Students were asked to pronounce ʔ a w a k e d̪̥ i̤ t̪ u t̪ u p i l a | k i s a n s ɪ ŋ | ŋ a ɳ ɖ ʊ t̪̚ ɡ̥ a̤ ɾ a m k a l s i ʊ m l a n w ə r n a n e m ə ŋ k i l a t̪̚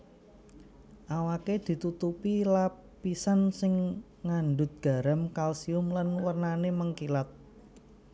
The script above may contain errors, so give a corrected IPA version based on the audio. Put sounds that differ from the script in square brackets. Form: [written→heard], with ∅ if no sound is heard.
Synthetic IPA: ʔ a w a k e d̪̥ i̤ t̪ u t̪ u p i l a | [k→p] i s a n s ɪ ŋ | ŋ a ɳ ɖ ʊ t̪̚ ɡ̥ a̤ ɾ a m k a l s i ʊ m l a n w ə r n a n e m ə ŋ k i l a t̪̚